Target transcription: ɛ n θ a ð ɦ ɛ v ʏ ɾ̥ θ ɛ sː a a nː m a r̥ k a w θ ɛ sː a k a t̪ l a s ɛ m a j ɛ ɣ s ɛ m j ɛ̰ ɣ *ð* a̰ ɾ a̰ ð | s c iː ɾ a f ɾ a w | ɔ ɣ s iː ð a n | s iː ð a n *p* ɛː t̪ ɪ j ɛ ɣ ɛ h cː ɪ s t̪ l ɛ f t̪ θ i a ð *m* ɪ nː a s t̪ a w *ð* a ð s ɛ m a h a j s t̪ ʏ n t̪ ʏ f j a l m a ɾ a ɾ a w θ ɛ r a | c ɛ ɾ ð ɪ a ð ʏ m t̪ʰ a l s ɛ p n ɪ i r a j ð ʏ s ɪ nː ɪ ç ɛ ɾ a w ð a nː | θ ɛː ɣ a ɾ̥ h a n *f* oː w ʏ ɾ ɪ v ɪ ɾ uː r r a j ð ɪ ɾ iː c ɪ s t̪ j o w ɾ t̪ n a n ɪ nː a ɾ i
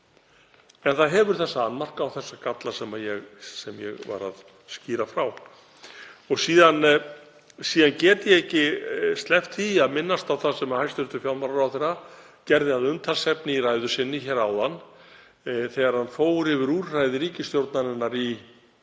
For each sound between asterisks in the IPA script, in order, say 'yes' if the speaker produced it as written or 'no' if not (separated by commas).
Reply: no, no, yes, no, yes